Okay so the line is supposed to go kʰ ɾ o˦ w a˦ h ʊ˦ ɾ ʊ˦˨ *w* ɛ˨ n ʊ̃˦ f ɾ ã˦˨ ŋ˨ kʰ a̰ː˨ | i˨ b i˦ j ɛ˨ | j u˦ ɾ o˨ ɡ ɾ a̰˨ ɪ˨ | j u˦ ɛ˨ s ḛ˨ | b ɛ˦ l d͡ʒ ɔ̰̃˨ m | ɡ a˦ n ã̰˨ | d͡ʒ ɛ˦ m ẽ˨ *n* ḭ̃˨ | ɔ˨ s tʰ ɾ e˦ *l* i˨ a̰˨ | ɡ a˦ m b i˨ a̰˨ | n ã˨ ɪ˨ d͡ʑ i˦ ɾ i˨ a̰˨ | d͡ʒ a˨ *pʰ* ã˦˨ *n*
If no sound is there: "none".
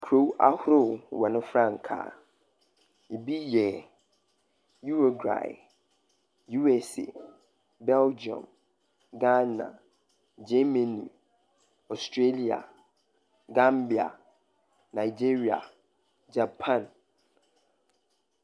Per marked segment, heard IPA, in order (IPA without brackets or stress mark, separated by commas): w, n, l, pʰ, n